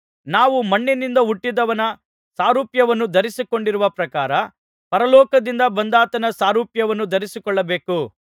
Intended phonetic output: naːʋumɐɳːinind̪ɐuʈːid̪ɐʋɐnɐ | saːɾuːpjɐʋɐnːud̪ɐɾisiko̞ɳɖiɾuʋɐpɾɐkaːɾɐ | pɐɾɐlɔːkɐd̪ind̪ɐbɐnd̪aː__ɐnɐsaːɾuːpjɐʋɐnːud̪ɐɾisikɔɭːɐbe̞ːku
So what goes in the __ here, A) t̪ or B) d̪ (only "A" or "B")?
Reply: A